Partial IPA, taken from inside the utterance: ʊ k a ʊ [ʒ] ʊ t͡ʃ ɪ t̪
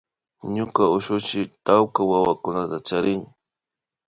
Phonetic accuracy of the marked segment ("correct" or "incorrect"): incorrect